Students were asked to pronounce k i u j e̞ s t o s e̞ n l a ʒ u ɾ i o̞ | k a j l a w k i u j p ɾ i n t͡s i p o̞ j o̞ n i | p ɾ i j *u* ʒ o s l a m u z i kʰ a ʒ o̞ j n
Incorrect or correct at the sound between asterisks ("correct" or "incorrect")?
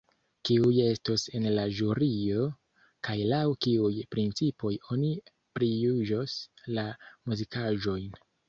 correct